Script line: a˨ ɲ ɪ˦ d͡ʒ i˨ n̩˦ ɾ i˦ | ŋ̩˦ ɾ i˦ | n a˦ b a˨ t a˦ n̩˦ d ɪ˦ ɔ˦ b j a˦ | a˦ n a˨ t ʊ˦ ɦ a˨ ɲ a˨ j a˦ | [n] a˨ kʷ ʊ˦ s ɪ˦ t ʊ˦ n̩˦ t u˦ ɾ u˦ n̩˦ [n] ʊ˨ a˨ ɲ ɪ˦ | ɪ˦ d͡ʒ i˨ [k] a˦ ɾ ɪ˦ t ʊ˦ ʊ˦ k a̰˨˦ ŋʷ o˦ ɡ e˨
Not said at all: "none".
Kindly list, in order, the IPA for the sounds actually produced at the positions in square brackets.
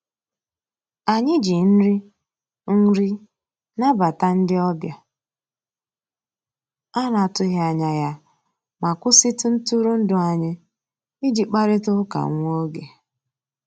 m, d, k͡p

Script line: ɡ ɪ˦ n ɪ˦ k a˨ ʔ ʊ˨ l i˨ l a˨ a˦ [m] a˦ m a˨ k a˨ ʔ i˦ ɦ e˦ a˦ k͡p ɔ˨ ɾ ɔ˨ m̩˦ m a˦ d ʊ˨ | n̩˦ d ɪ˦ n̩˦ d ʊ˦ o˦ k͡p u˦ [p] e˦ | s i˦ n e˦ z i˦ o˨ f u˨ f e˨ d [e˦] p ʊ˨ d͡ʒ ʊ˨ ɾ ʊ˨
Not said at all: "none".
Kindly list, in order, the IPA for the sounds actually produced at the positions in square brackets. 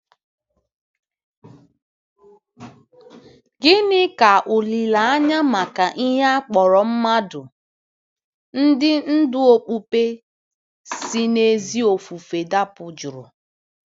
ɲ, p, a˦

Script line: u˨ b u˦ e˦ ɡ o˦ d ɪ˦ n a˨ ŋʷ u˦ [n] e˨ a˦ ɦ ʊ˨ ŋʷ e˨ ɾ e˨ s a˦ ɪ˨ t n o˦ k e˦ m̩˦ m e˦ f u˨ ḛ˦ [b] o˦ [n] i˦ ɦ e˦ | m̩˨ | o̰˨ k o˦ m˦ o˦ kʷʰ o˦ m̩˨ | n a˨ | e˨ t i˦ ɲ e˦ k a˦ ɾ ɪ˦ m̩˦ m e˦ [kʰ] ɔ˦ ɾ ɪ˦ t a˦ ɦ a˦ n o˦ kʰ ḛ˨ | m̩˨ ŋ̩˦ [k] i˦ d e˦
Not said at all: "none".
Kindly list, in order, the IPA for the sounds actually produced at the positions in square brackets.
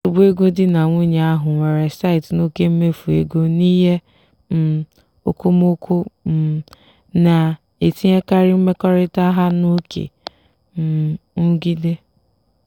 ɲ, ɡ, n, k, ɡ

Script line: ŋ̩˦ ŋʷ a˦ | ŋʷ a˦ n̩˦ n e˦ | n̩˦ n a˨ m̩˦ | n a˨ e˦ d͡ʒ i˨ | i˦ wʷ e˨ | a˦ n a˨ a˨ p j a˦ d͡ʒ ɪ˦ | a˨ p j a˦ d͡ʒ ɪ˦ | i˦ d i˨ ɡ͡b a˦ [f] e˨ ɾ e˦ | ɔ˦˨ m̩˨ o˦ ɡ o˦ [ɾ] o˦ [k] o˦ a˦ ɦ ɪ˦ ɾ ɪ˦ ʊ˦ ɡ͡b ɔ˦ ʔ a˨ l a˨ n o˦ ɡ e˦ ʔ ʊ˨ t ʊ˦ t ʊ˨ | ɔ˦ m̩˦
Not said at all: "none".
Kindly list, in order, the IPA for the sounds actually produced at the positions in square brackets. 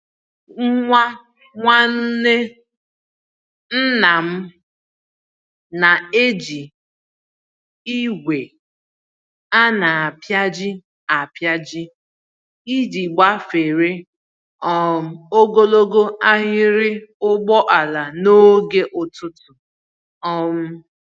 f, l, ɡ

